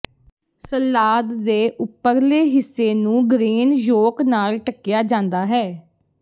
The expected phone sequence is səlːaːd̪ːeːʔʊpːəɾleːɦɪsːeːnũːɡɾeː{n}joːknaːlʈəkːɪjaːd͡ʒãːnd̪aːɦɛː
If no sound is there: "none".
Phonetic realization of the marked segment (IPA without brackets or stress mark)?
n